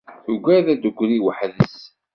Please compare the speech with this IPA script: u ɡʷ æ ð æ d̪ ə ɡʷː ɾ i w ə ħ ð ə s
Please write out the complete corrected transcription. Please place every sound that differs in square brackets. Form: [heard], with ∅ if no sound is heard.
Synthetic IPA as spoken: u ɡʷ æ ð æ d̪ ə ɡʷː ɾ i w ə ħ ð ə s